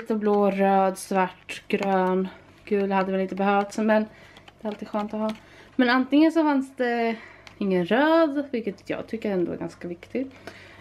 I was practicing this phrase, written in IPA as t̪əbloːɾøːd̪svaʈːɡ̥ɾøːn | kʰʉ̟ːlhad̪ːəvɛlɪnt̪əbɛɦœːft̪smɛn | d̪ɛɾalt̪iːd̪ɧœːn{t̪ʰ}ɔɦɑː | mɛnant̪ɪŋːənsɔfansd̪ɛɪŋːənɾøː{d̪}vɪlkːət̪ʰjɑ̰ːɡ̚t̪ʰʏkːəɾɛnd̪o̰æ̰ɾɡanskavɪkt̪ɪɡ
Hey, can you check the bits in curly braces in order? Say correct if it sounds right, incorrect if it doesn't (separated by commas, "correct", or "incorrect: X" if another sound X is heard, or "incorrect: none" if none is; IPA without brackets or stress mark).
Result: incorrect: t̪, correct